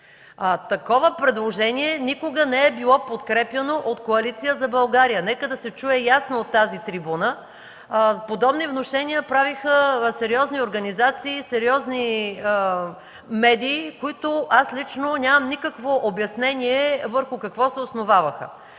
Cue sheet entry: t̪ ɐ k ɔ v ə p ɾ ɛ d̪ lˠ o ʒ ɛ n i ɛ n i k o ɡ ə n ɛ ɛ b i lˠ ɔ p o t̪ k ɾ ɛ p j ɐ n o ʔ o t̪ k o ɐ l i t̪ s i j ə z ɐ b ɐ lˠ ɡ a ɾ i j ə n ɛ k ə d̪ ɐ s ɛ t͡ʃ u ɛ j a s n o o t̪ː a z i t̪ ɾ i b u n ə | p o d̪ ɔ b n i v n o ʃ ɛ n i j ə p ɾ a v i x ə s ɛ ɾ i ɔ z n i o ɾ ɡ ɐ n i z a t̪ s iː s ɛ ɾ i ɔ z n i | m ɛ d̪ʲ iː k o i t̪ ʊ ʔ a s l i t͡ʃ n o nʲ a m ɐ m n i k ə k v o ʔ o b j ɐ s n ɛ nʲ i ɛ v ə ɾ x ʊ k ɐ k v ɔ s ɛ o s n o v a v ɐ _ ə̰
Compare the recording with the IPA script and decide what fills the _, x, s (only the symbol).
x